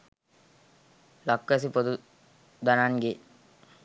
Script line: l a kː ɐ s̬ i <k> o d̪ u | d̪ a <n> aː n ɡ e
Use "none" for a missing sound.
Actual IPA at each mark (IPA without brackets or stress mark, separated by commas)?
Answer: p, n